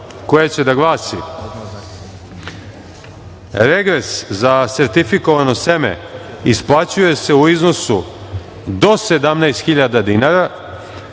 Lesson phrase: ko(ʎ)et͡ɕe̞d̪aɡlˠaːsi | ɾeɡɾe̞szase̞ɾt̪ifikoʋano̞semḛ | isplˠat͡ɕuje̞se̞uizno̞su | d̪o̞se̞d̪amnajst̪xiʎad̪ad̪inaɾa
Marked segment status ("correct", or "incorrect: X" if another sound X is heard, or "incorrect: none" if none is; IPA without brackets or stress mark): incorrect: j